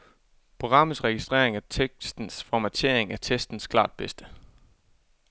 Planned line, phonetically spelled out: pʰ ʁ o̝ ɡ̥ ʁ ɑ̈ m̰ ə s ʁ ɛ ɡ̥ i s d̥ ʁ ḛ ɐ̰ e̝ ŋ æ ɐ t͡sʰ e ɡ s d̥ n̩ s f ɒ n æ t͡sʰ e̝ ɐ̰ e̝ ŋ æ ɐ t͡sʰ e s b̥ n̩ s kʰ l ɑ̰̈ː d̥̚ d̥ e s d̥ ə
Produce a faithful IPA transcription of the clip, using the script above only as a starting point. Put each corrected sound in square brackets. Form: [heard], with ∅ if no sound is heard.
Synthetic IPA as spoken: pʰ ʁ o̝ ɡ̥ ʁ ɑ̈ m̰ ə s ʁ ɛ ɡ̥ i s d̥ ʁ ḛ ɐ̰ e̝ ŋ æ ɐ t͡sʰ e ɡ s d̥ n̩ s f ɒ [m] æ t͡sʰ e̝ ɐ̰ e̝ ŋ æ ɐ t͡sʰ e s [d̥] n̩ s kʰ l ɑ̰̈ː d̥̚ [b̥] e s d̥ ə